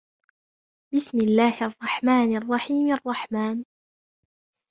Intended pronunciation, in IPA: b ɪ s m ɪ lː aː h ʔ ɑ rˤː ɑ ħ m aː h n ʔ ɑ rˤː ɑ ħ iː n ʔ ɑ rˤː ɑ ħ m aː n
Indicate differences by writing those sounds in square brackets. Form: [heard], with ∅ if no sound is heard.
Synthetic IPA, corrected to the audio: b ɪ s m ɪ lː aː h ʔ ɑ rˤː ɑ ħ m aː [∅] n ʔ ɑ rˤː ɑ ħ iː [m] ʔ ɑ rˤː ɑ ħ m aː n